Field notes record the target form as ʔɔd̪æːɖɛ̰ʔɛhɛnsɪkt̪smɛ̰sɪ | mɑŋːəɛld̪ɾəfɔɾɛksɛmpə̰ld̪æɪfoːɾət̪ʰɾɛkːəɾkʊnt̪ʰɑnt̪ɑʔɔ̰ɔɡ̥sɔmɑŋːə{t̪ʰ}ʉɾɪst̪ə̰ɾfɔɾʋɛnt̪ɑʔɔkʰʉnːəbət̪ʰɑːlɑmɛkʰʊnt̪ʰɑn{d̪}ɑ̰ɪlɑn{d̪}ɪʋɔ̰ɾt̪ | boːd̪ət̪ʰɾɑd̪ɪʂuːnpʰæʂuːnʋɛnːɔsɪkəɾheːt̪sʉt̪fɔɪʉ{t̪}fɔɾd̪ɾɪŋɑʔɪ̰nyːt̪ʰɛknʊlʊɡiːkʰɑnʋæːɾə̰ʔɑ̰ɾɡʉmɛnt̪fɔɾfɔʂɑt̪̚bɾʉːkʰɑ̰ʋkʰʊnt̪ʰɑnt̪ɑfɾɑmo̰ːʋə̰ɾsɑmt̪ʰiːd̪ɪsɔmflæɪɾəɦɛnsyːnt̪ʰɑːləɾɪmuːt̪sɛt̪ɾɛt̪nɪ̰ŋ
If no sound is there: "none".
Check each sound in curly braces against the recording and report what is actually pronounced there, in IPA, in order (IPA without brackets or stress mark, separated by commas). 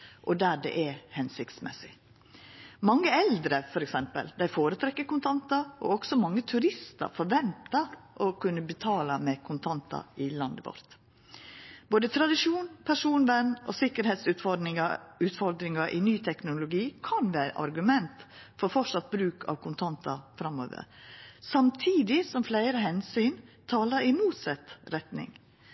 t̪ʰ, t̪, d̪, t̪